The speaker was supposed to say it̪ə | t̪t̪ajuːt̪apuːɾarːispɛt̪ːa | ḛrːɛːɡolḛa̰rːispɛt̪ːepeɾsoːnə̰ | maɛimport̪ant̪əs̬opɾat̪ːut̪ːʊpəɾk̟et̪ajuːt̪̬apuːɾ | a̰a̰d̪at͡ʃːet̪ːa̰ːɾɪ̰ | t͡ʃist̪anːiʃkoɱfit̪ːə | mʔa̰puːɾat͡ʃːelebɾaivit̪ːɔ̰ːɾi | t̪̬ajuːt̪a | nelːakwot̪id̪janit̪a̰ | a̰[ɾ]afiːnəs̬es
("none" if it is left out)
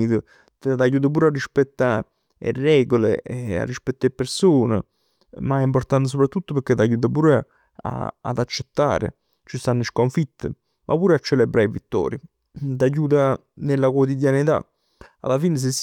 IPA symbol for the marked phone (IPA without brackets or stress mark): l